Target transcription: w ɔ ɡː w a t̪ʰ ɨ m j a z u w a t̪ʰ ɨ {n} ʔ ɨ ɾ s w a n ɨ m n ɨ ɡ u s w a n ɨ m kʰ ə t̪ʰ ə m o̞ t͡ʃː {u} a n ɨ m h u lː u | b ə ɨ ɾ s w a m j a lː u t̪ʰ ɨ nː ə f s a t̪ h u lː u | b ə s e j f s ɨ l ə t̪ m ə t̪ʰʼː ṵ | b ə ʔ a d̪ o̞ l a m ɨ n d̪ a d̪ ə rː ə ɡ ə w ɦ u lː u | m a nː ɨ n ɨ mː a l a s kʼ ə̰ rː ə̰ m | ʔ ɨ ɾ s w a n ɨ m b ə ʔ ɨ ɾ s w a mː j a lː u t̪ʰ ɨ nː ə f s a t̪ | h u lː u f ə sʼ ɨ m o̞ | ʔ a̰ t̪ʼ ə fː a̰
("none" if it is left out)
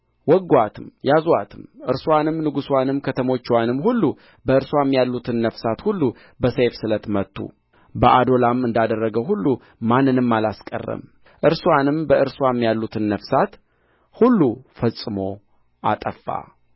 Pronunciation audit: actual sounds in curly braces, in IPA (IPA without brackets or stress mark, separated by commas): m, w